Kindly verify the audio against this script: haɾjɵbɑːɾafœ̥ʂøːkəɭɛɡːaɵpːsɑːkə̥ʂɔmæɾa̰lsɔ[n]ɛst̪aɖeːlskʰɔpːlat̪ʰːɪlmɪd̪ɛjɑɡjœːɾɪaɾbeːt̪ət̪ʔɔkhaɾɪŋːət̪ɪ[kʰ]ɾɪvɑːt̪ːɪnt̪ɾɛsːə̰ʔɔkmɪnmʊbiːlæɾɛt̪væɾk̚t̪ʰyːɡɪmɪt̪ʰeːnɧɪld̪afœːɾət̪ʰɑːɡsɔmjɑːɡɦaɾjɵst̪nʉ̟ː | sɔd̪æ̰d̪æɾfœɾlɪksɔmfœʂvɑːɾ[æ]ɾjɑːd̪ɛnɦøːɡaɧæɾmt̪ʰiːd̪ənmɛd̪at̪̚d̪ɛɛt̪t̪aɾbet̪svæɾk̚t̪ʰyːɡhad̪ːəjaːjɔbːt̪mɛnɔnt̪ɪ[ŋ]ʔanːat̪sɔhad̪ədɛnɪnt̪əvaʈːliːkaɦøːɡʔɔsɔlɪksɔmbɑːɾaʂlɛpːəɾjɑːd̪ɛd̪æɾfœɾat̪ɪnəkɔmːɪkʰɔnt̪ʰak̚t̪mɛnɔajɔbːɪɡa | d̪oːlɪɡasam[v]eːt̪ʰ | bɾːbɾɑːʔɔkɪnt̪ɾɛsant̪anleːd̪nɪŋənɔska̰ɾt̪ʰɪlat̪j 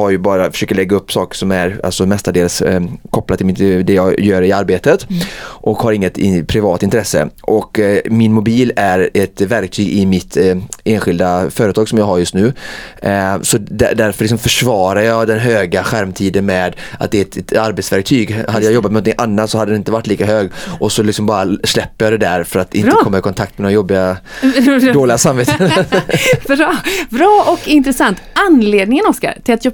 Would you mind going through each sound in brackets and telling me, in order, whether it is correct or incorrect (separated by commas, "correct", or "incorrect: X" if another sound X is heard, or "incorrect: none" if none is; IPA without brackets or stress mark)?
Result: incorrect: m, incorrect: pʰ, incorrect: a, correct, correct